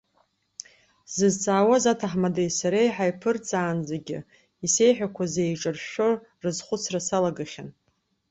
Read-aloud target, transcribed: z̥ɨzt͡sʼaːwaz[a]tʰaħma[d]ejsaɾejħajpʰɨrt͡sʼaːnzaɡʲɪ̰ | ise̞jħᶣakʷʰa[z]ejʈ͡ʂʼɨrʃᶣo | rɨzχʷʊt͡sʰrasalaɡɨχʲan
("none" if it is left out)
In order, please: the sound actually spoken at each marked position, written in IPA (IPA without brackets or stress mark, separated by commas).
a, d, z